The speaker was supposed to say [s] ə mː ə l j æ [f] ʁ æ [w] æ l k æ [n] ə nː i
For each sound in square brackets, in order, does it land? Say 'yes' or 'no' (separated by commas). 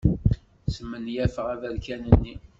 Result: yes, yes, no, yes